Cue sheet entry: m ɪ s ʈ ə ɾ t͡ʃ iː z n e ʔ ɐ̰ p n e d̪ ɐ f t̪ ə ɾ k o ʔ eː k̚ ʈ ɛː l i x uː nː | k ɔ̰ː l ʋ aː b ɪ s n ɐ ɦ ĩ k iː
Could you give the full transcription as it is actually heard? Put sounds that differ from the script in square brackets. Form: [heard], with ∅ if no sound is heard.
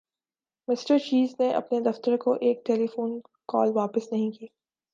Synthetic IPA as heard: m ɪ s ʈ ə ɾ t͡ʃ iː z n e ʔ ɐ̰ p n e d̪ ɐ f t̪ ə ɾ k o ʔ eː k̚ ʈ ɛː l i [f] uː [n] | k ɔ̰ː l ʋ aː [p] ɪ s n ɐ ɦ ĩ k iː